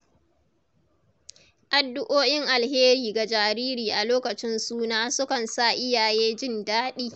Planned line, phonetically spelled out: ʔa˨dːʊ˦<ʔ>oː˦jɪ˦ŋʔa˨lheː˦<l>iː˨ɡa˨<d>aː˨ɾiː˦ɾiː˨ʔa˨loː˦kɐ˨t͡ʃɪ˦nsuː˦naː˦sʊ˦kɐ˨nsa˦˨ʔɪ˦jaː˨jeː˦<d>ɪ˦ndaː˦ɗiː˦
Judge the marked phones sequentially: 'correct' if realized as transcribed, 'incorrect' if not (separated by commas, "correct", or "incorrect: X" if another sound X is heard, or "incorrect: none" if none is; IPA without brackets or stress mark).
correct, incorrect: ɾ, incorrect: d͡ʒ, incorrect: d͡ʒ